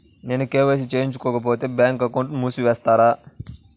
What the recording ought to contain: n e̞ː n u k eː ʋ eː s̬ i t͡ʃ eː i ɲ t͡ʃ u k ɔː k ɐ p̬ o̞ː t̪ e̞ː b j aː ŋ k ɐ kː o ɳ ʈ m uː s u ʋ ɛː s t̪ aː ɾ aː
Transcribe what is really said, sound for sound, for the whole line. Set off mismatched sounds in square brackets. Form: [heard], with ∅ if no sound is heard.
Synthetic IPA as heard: n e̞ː n u k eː ʋ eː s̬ i t͡ʃ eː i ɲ t͡ʃ u k ɔː k ɐ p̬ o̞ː t̪ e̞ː b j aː ŋ k ɐ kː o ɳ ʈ m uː s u ʋ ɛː s t̪ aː ɾ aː